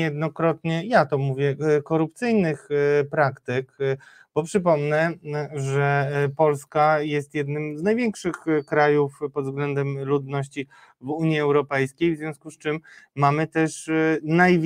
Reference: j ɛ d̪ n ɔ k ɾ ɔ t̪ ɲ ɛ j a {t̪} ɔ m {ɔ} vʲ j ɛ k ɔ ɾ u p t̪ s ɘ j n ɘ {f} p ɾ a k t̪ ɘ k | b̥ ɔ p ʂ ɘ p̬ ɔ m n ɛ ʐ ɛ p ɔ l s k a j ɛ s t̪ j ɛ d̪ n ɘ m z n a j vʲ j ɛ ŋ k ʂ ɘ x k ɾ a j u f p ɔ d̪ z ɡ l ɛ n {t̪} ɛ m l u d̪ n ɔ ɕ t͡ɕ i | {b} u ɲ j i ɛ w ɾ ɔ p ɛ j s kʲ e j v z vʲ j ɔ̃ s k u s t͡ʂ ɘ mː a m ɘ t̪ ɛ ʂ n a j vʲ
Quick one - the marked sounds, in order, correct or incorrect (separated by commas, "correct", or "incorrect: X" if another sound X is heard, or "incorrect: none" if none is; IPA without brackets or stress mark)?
correct, incorrect: u, incorrect: x, incorrect: d̪, incorrect: v